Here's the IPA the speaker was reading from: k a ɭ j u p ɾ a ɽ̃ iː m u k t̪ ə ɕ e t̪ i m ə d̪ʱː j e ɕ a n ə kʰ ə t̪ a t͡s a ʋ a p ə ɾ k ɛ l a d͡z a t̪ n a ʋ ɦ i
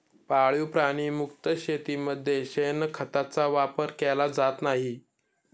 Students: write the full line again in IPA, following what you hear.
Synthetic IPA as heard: p a ɭ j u p ɾ a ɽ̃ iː m u k t̪ ə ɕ e t̪ i m ə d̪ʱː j e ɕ e n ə kʰ ə t̪ a t͡s a ʋ a p ə ɾ k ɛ l a d͡z a t̪ n a ɦ i